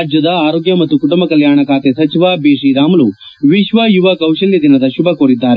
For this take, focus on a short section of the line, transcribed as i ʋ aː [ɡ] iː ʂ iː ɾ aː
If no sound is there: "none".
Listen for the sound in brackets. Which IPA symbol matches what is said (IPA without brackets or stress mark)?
b